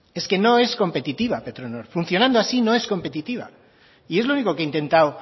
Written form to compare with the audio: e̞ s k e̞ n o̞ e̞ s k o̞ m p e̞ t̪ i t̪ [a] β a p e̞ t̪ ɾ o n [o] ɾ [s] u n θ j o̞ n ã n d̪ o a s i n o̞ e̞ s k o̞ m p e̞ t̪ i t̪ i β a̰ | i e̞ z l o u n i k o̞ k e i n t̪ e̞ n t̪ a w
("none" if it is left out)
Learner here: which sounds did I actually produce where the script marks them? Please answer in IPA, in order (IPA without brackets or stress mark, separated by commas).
i, o, f